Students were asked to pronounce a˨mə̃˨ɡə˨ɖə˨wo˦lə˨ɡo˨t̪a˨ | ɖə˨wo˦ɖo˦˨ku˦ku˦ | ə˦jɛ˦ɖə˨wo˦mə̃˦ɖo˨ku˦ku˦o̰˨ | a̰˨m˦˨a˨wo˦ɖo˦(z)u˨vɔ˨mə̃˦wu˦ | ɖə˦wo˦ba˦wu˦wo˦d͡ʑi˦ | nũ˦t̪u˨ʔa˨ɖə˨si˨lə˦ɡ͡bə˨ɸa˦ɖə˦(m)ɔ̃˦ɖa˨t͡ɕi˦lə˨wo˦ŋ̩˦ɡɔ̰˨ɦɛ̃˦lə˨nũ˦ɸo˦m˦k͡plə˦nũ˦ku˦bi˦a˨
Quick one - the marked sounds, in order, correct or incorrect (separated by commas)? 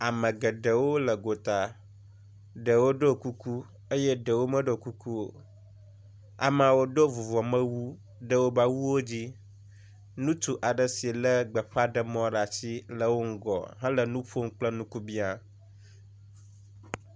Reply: incorrect, correct